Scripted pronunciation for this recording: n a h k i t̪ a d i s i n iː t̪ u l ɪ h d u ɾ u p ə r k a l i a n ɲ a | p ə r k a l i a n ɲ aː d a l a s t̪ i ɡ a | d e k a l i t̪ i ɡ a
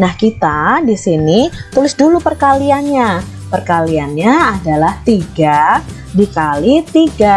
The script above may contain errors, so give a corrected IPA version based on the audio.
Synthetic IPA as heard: n a h k i t̪ a d i s i n i t̪ u l ɪ s d u l u p ə r k a l i a n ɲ a | p ə r k a l i a n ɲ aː d a l a h t̪ i ɡ a | d i k a l i t̪ i ɡ a